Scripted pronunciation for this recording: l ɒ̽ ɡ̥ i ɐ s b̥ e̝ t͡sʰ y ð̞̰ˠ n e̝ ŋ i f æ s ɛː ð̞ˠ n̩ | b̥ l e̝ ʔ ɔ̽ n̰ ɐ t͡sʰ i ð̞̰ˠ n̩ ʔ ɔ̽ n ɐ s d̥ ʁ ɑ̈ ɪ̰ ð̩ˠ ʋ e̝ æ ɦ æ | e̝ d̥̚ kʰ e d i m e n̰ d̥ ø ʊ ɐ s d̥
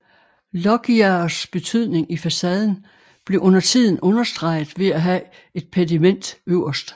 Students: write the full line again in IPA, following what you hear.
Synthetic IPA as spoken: l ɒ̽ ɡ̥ i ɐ s b̥ e̝ t͡sʰ y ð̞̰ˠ n e̝ ŋ i f æ s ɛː ð̞ˠ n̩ | b̥ l e̝ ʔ ɔ̽ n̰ ɐ t͡sʰ i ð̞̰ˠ n̩ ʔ ɔ̽ n ɐ s d̥ ʁ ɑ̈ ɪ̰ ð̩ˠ ʋ e̝ æ ɦ æ | e̝ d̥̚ pʰ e d i m e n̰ d̥ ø ʊ ɐ s d̥